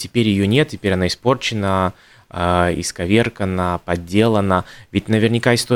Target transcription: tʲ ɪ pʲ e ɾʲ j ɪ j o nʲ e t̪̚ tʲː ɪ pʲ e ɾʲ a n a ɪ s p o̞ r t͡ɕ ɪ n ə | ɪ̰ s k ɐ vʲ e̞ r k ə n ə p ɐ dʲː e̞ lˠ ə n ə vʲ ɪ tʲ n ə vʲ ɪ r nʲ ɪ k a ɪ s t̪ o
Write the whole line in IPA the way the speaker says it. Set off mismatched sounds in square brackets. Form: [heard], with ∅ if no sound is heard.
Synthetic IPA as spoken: tʲ ɪ pʲ e ɾʲ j ɪ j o nʲ e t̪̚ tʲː ɪ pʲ e ɾʲ [ɐ] n a ɪ s p o̞ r t͡ɕ ɪ n ə | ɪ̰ s k ɐ vʲ e̞ r k ə n ə p ɐ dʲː e̞ lˠ ə n ə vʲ ɪ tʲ n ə vʲ ɪ r nʲ ɪ k a ɪ s t̪ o